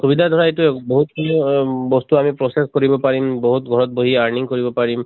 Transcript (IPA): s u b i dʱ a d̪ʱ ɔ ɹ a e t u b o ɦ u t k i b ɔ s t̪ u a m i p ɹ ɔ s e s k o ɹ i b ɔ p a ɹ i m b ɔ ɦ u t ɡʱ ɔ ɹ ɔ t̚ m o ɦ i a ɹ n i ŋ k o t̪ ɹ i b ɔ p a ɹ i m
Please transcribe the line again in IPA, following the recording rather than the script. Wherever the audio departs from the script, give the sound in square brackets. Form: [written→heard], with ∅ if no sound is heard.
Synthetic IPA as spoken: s u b i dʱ a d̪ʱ ɔ ɹ a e t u b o ɦ u t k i b ɔ s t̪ u a m i p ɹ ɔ s e s k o ɹ i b ɔ p a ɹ i m b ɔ ɦ u t ɡʱ ɔ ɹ ɔ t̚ [m→b] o ɦ i a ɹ n i ŋ k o [t̪→∅] ɹ i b ɔ p a ɹ i m